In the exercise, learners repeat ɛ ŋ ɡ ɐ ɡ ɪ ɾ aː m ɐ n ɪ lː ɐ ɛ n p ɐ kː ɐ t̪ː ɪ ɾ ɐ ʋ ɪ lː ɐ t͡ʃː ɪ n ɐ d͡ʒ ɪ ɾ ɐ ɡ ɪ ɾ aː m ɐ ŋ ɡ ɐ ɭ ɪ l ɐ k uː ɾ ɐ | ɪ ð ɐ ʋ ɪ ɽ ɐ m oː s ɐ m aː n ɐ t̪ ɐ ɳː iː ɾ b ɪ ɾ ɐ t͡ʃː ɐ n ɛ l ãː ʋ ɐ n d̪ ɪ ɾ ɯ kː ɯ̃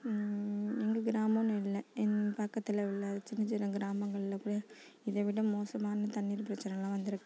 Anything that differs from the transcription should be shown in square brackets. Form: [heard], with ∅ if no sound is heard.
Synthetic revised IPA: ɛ ŋ ɡ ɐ ɡ ɪ ɾ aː m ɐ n ɪ lː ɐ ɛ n p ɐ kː ɐ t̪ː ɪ [l] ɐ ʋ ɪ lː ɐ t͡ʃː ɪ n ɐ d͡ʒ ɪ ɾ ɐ ɡ ɪ ɾ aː m ɐ ŋ ɡ ɐ ɭ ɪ l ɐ k uː [ɽ] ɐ | ɪ ð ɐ ʋ ɪ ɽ ɐ m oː s ɐ m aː n ɐ t̪ ɐ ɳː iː ɾ [p] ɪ ɾ ɐ t͡ʃː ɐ n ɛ l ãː ʋ ɐ n d̪ ɪ ɾ ɯ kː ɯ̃